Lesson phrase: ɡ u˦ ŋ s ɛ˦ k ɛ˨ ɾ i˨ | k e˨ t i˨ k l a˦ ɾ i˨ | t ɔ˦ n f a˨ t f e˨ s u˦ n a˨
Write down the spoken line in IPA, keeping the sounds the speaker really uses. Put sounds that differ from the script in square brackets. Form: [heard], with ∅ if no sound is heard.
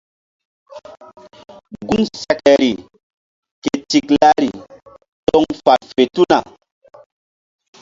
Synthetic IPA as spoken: ɡ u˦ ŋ s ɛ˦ k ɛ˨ ɾ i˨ | k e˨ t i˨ k l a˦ ɾ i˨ | t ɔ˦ [ŋ] f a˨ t f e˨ [t] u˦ n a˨